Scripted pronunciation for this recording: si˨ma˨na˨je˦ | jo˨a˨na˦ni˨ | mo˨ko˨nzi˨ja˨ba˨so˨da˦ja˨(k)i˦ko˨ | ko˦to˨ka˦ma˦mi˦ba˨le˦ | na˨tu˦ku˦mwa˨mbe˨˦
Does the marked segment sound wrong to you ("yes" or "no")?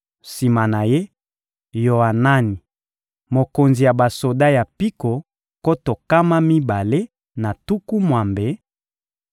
yes